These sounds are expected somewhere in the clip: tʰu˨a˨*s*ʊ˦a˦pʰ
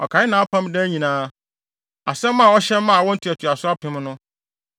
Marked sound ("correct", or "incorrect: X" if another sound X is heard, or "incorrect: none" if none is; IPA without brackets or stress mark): correct